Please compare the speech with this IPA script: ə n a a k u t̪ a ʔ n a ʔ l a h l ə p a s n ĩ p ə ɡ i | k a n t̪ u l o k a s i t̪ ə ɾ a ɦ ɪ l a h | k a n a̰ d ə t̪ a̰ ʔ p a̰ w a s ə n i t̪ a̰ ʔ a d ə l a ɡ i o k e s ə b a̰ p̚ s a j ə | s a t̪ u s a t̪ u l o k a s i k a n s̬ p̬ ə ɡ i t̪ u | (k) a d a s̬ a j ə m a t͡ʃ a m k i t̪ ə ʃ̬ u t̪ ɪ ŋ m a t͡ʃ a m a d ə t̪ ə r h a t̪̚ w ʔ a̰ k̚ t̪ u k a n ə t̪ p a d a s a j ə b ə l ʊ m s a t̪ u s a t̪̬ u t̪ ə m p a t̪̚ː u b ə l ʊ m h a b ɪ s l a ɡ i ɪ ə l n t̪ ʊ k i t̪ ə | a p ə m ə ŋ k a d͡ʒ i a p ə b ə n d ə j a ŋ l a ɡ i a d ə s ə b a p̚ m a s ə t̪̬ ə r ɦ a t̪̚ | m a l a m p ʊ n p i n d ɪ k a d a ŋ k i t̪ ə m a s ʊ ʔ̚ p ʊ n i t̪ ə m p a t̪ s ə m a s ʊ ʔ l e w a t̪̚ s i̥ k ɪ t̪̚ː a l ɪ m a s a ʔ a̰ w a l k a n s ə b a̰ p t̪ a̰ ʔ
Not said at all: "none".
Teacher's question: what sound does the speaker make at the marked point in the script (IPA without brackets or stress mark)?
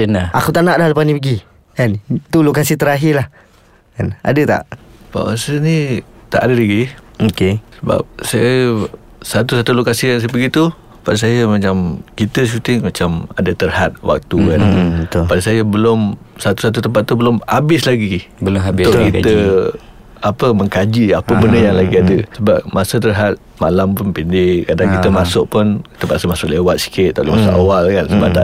p